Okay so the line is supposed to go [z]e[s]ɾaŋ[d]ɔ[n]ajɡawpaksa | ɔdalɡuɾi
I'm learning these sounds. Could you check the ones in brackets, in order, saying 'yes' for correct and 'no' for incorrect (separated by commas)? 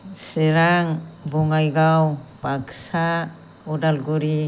no, no, no, no